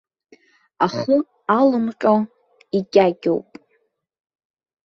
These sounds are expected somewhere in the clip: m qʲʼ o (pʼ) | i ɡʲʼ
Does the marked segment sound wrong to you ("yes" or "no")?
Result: yes